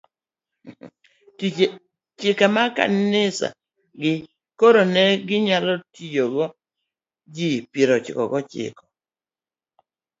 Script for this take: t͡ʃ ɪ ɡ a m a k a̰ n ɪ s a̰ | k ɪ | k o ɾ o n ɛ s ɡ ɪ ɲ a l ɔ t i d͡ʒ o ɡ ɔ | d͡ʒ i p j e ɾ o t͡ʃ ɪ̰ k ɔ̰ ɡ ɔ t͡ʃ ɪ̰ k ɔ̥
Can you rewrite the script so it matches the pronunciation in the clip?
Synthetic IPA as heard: t͡ʃ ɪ k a m a k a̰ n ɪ s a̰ | ɡ ɪ | k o ɾ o n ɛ ɡ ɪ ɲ a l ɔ t i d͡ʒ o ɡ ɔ | d͡ʒ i p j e ɾ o t͡ʃ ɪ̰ k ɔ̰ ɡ ɔ t͡ʃ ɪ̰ k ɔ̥